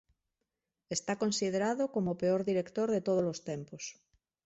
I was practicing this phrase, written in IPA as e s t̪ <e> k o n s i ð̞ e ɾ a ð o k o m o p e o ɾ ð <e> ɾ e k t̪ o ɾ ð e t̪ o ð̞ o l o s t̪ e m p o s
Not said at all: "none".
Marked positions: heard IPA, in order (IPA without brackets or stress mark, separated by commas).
a, i